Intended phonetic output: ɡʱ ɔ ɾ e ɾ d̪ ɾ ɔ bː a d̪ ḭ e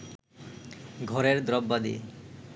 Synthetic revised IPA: ɡʱ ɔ ɾ e ɾ d̪ ɾ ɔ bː a d̪ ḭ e